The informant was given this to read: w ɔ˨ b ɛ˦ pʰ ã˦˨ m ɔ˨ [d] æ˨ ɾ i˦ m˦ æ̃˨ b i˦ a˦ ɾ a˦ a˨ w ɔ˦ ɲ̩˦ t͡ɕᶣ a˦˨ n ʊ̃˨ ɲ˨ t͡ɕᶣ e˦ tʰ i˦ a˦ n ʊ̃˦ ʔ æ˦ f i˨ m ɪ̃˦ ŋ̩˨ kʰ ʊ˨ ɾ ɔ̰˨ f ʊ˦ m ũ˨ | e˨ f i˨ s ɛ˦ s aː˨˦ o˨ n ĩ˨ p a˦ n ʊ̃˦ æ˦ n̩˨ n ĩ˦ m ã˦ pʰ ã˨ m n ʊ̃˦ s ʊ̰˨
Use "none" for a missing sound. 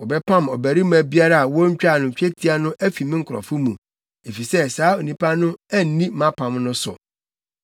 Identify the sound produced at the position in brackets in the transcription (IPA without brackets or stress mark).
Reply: b